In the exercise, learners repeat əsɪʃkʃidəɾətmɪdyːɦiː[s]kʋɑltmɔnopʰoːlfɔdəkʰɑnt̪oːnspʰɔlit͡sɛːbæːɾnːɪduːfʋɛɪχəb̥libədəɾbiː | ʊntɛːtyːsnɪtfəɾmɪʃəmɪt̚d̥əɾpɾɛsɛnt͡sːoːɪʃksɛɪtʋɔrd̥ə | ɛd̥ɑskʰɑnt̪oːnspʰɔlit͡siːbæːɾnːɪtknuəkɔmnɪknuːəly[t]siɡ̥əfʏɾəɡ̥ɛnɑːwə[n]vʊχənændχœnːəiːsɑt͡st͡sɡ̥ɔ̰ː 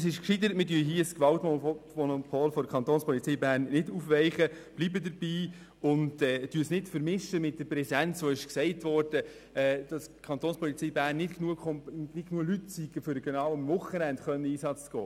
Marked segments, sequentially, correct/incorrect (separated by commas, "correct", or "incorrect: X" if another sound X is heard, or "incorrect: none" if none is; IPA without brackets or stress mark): correct, correct, incorrect: m